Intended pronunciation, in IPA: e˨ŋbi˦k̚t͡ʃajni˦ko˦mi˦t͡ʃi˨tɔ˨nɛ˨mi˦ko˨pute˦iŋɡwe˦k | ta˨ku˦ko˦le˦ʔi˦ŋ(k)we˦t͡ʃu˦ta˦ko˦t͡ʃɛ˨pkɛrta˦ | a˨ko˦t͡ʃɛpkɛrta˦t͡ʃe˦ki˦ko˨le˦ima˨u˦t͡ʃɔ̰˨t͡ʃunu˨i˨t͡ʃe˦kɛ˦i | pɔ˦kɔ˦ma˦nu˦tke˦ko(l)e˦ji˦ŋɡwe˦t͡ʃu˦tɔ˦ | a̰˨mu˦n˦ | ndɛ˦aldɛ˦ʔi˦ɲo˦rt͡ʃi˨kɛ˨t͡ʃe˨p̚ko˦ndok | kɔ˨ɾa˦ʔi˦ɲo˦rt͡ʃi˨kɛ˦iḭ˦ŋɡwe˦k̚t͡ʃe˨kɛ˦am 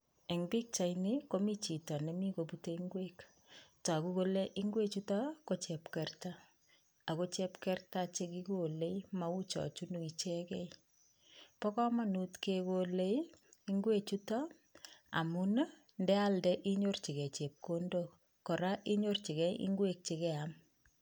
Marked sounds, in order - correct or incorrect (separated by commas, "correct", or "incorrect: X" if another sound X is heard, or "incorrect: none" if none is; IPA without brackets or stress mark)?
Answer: incorrect: ɡ, correct